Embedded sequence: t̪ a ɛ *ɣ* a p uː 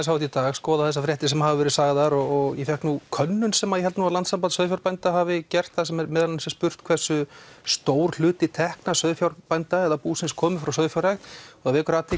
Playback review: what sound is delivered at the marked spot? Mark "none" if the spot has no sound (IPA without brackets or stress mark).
ð